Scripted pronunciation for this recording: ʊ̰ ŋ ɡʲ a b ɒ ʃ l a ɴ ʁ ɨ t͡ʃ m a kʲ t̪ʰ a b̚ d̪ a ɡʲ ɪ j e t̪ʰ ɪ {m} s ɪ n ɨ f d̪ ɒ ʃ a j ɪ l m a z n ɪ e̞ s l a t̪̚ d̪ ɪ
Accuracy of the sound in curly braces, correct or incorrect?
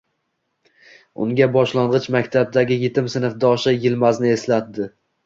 correct